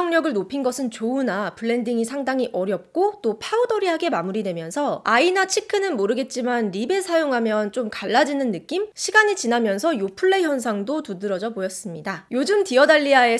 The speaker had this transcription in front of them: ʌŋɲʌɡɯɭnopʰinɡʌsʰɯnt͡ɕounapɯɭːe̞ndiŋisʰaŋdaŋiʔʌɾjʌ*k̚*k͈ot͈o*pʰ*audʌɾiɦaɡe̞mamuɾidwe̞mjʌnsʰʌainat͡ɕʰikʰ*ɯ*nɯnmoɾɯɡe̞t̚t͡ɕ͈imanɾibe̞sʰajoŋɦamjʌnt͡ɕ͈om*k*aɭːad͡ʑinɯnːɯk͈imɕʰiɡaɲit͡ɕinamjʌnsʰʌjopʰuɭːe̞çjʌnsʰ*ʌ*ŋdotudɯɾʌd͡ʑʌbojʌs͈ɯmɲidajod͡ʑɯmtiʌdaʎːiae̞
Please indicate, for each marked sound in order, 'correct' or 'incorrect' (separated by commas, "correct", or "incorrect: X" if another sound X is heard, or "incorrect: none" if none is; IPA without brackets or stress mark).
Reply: incorrect: p̚, correct, correct, correct, incorrect: a